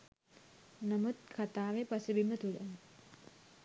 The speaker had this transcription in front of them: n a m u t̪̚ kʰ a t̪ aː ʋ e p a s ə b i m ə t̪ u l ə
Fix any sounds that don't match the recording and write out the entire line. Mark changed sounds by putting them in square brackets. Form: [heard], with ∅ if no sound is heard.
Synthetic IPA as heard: n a m u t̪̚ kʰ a t̪ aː ʋ e p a s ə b i m ə t̪ u l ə